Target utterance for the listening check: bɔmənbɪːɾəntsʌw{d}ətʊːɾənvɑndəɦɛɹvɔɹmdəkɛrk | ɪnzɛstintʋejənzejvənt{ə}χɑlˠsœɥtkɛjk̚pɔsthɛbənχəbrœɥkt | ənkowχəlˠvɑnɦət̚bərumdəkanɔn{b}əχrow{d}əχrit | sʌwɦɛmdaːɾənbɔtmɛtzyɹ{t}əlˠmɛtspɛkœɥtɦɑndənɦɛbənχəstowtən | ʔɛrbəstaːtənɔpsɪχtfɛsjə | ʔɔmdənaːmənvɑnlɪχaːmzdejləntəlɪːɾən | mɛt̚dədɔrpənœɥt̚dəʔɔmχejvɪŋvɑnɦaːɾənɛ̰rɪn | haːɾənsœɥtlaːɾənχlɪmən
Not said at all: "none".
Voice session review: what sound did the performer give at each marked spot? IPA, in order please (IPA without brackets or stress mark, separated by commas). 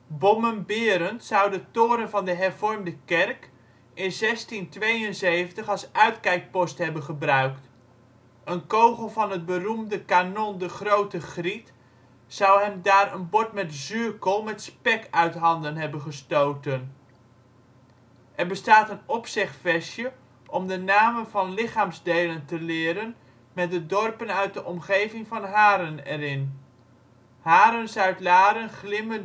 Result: d, ə, d, t, k